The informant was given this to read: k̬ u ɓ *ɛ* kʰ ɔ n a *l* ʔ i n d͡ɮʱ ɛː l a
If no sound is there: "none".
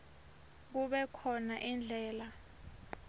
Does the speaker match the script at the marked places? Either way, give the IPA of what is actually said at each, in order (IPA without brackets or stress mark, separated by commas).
ɛ, none